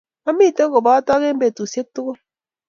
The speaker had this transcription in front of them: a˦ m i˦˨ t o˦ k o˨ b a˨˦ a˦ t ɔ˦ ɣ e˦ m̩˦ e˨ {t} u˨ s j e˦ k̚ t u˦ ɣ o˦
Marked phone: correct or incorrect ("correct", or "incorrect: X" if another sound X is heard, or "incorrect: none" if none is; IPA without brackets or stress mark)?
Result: correct